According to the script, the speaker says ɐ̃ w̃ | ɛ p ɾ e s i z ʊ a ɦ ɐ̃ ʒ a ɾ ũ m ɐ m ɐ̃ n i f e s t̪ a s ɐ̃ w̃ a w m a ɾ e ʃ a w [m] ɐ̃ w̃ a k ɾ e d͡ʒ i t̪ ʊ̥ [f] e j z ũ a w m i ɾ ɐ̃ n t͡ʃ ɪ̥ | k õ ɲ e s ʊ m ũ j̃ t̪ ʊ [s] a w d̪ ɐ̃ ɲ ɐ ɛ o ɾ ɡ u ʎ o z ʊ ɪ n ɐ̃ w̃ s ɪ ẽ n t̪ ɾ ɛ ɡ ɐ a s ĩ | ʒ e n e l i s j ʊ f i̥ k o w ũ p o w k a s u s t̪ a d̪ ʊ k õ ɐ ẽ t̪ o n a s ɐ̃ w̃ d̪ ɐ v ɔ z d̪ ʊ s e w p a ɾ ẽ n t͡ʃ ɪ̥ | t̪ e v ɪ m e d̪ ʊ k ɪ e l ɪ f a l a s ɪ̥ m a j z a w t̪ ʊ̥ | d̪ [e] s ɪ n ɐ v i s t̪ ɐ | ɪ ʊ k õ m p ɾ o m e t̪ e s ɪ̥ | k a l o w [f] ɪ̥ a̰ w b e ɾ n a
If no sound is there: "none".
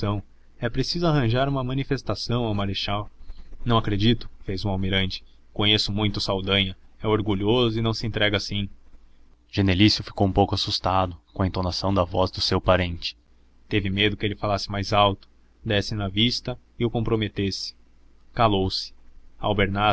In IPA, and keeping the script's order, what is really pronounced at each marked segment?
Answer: n, f, s, ɛ, s

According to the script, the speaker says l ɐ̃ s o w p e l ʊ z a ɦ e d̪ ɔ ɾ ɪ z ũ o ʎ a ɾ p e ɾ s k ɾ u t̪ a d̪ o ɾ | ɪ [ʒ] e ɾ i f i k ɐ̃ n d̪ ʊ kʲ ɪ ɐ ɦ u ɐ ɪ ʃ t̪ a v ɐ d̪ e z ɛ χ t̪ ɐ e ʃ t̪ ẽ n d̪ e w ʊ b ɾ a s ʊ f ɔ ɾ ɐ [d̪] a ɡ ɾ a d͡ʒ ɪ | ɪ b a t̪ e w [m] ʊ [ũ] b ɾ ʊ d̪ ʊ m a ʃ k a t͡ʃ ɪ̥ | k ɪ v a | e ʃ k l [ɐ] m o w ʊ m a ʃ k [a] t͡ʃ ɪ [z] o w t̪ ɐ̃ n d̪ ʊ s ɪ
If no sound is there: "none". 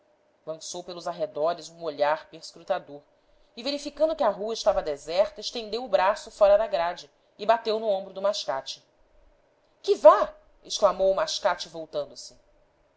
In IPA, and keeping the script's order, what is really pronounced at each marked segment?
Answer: v, d̪, n, õ, a, a, v

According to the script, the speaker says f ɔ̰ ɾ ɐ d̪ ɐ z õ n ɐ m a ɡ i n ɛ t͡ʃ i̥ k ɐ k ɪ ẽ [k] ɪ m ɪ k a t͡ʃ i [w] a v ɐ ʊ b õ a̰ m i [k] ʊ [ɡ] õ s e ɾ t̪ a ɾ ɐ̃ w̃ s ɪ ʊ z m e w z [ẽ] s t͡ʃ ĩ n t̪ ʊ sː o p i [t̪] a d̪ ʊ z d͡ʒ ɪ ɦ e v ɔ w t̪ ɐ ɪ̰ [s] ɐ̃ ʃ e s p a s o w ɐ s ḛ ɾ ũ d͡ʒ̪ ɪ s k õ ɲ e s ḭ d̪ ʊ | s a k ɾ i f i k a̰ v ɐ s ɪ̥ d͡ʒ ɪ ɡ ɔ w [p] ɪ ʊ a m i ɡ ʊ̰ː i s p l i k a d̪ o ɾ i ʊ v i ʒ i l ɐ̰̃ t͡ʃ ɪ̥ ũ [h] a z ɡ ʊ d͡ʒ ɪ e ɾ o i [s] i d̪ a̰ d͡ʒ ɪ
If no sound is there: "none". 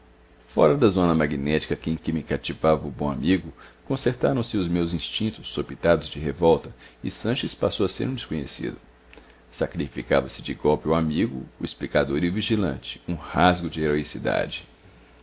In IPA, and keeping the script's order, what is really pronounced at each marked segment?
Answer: k, v, ɡ, k, ĩ, t̪, s, p, h, s

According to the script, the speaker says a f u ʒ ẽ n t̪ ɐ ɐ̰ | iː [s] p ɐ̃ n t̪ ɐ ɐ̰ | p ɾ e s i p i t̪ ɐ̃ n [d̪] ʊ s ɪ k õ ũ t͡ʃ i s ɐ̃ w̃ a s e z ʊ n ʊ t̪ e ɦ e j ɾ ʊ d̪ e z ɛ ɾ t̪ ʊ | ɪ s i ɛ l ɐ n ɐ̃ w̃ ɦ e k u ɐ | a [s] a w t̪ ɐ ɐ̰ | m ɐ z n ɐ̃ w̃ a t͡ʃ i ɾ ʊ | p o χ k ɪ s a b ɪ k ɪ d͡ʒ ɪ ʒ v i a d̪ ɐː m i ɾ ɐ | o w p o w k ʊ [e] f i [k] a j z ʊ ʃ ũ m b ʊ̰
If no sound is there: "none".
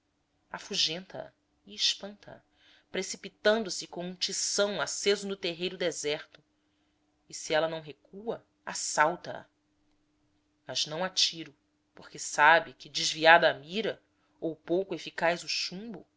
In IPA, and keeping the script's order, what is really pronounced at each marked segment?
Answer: ʃ, d̪, s, e, k

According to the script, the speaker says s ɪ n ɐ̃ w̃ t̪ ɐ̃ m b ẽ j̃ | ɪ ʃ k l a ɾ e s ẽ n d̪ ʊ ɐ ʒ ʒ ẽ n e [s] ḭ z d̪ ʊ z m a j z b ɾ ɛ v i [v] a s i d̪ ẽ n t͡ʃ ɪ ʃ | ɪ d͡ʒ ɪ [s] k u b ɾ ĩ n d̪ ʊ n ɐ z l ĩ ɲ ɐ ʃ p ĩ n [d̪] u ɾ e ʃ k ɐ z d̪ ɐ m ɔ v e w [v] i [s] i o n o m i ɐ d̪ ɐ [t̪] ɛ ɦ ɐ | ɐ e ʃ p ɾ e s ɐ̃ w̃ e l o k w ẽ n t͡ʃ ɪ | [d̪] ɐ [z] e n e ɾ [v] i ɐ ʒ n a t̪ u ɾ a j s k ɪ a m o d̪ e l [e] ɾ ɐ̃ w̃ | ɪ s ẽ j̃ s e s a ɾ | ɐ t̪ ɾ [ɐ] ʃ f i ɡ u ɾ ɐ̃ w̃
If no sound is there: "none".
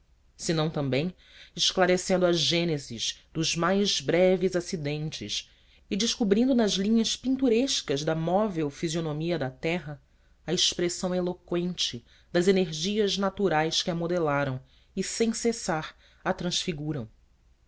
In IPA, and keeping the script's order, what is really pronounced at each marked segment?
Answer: z, z, ʃ, t̪, f, z, t̪, d̪, z, ʒ, a, ɐ̃

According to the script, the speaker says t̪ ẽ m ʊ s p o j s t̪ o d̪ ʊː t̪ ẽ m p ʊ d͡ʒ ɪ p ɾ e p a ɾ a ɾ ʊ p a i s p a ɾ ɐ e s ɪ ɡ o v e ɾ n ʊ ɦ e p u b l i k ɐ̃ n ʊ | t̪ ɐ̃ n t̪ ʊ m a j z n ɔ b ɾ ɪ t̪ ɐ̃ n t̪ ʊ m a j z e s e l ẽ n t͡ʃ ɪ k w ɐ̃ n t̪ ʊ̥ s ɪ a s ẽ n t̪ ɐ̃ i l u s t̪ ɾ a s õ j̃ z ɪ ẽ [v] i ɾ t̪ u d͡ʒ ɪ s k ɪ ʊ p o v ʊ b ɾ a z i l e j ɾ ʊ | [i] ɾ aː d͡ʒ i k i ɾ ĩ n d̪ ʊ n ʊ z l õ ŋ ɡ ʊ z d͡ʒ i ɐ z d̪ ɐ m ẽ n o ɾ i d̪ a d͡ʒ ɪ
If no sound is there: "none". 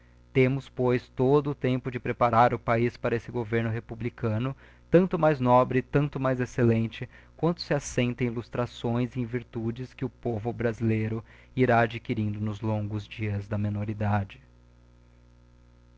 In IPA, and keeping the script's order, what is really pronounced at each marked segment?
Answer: v, i

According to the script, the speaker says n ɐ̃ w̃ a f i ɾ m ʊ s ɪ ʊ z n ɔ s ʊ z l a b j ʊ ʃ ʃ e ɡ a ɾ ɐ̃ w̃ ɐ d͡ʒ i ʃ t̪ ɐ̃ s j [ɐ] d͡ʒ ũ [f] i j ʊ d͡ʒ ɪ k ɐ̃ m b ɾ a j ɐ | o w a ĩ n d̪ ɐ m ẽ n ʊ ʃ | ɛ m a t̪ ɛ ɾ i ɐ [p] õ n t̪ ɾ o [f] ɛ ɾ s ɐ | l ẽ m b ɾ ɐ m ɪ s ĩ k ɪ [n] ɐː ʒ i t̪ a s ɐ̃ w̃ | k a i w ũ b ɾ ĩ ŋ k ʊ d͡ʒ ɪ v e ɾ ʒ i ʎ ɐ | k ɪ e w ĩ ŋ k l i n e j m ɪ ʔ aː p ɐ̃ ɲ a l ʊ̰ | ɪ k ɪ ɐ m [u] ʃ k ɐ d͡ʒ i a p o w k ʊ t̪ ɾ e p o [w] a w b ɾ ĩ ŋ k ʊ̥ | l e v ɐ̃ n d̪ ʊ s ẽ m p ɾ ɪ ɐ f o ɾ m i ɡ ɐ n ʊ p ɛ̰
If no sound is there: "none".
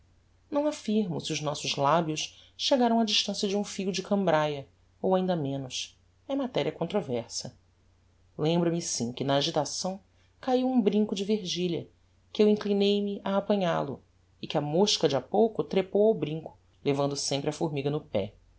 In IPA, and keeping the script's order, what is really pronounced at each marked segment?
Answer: ɐ, f, k, v, n, o, w

